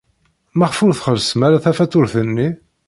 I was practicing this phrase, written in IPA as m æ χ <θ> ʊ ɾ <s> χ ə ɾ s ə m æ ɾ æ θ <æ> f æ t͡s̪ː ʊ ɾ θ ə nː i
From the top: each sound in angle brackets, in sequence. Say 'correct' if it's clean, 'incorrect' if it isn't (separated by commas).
incorrect, incorrect, correct